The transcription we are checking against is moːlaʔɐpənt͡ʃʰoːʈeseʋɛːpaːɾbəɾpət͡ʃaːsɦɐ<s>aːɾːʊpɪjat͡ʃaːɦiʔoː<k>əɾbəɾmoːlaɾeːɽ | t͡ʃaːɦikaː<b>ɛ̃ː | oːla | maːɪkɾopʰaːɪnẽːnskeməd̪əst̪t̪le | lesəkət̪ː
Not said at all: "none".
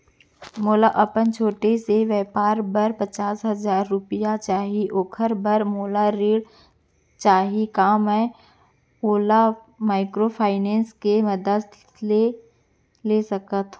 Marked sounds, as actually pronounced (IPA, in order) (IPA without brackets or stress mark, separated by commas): z, kʰ, m